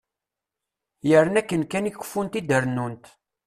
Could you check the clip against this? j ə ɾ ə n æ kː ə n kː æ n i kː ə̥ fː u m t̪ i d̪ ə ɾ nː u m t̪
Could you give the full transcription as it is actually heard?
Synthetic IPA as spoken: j ə ɾ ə n æ kː ə n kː æ n i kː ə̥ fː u n t̪ i d̪ ə ɾ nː u n t̪